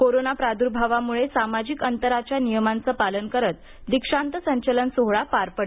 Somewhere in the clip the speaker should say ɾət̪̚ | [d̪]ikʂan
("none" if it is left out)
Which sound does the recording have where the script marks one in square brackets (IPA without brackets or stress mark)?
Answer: d̪